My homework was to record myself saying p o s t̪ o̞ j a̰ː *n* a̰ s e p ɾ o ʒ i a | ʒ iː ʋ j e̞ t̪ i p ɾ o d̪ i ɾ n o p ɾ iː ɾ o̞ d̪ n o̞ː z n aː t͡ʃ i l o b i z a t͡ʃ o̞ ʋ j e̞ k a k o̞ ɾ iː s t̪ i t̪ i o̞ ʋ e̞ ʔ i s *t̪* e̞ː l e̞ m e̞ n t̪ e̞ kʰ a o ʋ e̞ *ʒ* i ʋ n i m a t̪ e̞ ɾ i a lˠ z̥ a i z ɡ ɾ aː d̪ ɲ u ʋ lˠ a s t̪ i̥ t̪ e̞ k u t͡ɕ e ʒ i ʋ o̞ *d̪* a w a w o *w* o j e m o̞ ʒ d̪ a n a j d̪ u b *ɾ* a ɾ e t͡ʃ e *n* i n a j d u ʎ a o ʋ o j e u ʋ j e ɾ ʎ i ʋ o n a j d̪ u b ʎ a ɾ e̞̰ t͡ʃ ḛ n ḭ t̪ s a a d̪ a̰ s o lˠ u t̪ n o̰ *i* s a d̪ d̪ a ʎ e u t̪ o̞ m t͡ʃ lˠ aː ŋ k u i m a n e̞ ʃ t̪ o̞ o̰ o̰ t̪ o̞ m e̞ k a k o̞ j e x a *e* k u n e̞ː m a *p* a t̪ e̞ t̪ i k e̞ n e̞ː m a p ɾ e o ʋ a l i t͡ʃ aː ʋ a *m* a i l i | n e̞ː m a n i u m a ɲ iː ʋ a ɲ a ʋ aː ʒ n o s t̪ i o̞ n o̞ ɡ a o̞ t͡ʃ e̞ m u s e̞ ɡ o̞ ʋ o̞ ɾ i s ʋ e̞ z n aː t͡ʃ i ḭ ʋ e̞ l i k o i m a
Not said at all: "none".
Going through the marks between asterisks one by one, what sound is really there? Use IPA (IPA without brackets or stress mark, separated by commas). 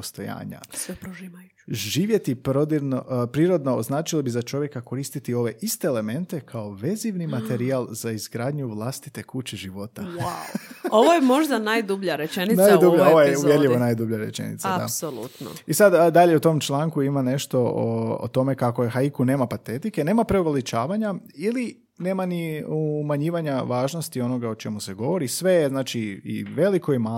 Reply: ɲ, t̪, z, t̪, ʋ, ʎ, n, i, i, p, ɲ